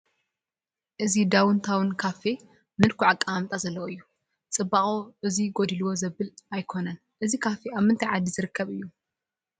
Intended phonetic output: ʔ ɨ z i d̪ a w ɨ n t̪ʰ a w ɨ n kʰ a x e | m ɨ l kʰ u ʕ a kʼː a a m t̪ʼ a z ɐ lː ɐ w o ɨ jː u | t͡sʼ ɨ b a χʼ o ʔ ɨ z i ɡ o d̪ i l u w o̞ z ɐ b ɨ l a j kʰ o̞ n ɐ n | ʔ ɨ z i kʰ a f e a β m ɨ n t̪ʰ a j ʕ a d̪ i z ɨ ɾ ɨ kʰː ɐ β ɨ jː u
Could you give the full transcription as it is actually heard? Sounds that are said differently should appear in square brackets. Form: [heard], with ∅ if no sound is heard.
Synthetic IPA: ʔ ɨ z i d̪ a w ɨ n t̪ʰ a w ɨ n kʰ a [f] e | m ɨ l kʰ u ʕ a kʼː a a m t̪ʼ a z ɐ lː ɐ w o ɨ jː u | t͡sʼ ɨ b a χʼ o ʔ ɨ z i ɡ o d̪ i l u w o̞ z ɐ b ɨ l a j kʰ o̞ n ɐ n | ʔ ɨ z i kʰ a f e a β m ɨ n t̪ʰ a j ʕ a d̪ i z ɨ ɾ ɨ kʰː ɐ β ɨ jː u